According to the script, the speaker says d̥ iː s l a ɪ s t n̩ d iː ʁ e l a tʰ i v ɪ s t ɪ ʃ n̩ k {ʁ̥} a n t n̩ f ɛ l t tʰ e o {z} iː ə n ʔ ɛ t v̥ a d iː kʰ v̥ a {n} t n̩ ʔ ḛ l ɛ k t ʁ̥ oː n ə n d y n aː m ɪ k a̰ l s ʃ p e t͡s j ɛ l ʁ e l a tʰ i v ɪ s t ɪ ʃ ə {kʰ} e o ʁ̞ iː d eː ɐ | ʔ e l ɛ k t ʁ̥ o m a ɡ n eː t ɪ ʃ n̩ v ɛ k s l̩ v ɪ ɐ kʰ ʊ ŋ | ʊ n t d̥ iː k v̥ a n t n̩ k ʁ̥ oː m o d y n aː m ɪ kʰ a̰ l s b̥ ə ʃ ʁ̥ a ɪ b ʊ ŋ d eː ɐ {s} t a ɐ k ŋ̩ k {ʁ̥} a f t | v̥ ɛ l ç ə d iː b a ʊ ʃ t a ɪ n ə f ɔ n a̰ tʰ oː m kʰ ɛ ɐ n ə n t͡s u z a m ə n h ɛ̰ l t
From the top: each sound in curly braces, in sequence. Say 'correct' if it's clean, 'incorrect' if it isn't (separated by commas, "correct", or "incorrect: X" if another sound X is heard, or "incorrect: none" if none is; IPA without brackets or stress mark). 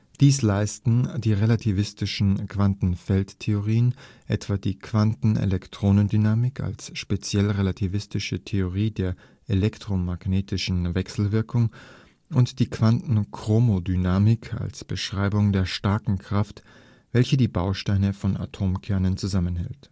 incorrect: v̥, incorrect: ʁ, correct, incorrect: tʰ, incorrect: ʃ, correct